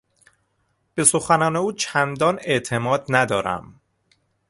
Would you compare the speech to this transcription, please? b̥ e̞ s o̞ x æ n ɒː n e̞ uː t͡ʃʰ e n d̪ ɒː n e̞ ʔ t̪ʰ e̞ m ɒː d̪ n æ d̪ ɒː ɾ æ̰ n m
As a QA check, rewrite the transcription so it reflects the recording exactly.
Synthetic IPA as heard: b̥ e̞ s o̞ x æ n ɒː n e̞ uː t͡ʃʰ æ n d̪ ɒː n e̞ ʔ t̪ʰ e̞ m ɒː d̪ n æ d̪ ɒː ɾ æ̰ m

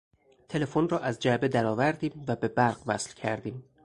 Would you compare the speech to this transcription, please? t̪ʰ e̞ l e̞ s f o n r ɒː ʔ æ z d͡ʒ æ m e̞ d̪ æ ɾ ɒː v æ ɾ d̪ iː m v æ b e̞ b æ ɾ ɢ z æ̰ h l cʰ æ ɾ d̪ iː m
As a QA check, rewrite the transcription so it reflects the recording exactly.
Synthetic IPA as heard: t̪ʰ e̞ l e̞ f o n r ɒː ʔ æ z d͡ʒ æ b e̞ d̪ æ ɾ ɒː v æ ɾ d̪ iː m v æ b e̞ b æ ɾ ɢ v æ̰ s l cʰ æ ɾ d̪ iː m

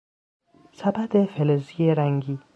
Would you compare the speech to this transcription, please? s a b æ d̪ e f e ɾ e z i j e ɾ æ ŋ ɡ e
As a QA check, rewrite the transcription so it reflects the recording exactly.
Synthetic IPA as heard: s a b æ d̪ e f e l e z i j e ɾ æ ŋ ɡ i

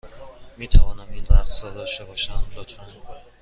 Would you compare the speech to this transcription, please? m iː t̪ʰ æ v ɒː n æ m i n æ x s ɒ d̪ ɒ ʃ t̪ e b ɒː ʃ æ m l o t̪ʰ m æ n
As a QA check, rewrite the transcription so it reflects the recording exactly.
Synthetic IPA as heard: m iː t̪ʰ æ v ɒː n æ m i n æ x s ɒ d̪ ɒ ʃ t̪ e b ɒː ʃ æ m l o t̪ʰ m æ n

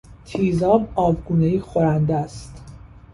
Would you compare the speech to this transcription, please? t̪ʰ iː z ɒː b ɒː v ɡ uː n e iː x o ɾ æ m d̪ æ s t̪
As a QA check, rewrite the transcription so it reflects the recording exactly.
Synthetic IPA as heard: t̪ʰ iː z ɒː b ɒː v ɡ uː n e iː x o ɾ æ n d̪ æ s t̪

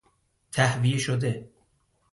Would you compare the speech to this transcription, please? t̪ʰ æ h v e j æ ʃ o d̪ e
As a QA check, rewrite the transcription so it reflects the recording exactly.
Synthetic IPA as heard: t̪ʰ æ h v i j e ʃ o d̪ e

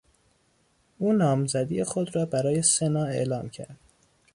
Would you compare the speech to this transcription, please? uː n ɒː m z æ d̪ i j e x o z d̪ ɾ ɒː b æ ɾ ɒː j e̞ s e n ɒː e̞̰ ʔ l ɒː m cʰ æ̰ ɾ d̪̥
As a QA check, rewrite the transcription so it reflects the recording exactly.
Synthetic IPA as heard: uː n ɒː m z æ d̪ i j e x o d̪ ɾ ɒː b æ ɾ ɒː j e̞ s e n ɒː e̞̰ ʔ l ɒː m cʰ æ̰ ɾ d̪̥

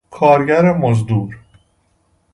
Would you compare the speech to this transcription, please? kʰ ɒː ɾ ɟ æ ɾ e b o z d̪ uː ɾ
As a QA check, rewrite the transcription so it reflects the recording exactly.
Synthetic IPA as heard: kʰ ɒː ɾ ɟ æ ɾ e m o z d̪ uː ɾ

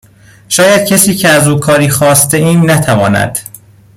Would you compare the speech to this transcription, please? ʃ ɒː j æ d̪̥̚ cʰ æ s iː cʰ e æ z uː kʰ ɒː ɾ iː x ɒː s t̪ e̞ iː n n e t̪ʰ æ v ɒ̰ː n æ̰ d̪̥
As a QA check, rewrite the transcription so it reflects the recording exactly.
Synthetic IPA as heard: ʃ ɒː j æ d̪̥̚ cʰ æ s iː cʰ e æ z uː kʰ ɒː ɾ iː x ɒː s t̪ e̞ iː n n æ t̪ʰ æ v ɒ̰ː n æ̰ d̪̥

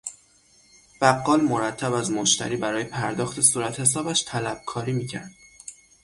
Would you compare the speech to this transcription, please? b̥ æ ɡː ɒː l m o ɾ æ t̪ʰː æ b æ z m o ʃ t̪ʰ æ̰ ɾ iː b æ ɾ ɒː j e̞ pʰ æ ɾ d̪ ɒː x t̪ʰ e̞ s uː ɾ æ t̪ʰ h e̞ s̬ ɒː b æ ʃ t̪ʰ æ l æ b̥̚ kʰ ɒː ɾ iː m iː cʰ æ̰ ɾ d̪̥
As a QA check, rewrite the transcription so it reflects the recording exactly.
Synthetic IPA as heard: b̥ æ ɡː ɒː l m o ɾ æ t̪ʰː æ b æ z m o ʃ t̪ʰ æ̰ ɾ iː b æ ɾ ɒː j e̞ pʰ æ ɾ d̪ ɒː x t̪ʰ e̞ s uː ɾ æ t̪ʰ h e̞ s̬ ɒː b æ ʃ t̪ʰ æ l æ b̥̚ kʰ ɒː ɾ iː m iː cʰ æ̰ ɾ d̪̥

